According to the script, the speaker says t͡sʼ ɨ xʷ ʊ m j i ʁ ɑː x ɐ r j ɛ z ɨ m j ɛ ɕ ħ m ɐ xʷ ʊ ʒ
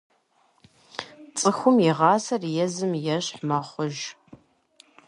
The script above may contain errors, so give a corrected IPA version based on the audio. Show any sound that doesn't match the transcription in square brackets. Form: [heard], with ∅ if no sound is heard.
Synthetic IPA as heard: t͡sʼ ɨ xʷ ʊ m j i ʁ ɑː [s] ɐ r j ɛ z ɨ m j ɛ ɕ ħ m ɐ [χʷ] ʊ ʒ